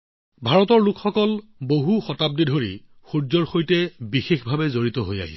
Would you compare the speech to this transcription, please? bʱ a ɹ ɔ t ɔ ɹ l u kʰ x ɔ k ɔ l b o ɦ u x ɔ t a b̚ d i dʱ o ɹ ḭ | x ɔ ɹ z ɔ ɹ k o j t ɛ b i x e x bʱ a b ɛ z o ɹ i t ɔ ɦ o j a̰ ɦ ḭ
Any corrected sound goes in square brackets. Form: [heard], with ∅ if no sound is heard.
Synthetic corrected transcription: bʱ a ɹ ɔ t ɔ ɹ l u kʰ x ɔ k ɔ l b o ɦ u x ɔ t a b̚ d i dʱ o ɹ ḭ | x [u] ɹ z ɔ ɹ [x] o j t ɛ b i x e x bʱ a b ɛ z o ɹ i t ɔ ɦ o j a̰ ɦ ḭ